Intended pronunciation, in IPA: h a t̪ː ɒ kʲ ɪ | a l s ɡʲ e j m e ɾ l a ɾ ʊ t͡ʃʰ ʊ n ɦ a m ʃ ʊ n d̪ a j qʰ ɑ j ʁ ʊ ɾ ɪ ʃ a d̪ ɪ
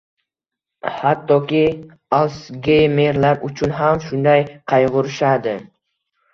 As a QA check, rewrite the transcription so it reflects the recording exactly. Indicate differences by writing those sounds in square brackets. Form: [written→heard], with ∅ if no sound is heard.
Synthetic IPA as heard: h a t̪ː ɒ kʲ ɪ | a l s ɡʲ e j m e ɾ l a ɾ ʊ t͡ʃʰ ʊ n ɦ a m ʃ ʊ n d̪ a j qʰ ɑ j ʁ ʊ ɾ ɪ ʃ a d̪ ɪ